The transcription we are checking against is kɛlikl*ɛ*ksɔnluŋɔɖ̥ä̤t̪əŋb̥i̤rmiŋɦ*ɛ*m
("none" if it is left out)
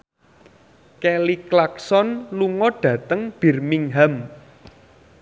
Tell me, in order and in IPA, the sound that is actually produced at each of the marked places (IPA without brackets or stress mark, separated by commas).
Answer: a, a